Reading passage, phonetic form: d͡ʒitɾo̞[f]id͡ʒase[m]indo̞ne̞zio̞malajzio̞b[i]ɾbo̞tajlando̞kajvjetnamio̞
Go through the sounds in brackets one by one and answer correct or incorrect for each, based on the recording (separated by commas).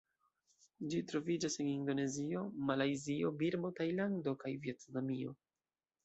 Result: incorrect, incorrect, correct